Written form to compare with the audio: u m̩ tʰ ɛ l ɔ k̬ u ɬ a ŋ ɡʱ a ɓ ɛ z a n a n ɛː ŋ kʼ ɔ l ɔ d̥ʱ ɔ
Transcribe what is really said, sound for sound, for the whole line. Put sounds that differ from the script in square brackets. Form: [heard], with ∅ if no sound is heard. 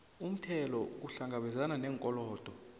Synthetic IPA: u m̩ tʰ ɛ l ɔ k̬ u ɬ a ŋ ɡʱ a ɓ ɛ z a n a n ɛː ŋ kʼ ɔ l [ɔː] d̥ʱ ɔ